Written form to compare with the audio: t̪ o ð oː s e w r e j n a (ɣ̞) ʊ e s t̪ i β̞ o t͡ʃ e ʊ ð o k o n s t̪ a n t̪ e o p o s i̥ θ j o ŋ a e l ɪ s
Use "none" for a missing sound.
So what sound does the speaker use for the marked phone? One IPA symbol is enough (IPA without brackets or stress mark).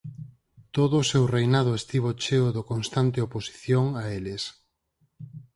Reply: ð̞